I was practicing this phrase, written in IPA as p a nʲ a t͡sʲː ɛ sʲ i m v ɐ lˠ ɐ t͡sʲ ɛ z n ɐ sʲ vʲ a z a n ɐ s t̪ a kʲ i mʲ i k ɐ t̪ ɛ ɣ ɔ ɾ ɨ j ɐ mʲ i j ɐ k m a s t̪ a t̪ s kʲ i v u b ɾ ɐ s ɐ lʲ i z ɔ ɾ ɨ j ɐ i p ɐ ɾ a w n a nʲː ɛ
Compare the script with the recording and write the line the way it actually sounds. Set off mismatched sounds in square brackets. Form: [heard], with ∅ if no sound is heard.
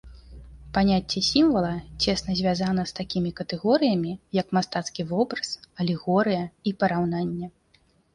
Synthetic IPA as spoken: p a nʲ a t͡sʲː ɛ sʲ i m v ɐ lˠ ɐ t͡sʲ ɛ [s] n ɐ [zʲ] vʲ a z a n ɐ s t̪ a kʲ i mʲ i k ɐ t̪ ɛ ɣ ɔ ɾ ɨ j ɐ mʲ i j ɐ k m a s t̪ a t̪ s kʲ i v [ɔ] b ɾ ɐ s ɐ lʲ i [ɣ] ɔ ɾ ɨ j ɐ i p ɐ ɾ a w n a nʲː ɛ